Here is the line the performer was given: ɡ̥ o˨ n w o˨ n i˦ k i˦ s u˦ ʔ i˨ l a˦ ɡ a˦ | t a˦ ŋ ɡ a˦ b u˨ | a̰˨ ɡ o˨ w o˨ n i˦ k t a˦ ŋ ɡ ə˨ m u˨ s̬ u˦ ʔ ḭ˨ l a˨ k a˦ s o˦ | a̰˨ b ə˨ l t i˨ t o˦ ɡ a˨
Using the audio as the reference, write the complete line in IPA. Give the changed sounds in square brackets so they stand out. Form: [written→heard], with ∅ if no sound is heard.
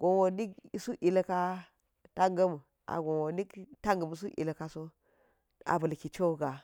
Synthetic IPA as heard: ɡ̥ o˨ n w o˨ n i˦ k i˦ s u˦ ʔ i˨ l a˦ [ɡ→k] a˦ | t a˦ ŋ ɡ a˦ [b→m] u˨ | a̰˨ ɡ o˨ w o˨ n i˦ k t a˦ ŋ ɡ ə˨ m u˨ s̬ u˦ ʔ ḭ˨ l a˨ k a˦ s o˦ | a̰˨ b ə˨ l [t→k] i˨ [t→t͡ʃ] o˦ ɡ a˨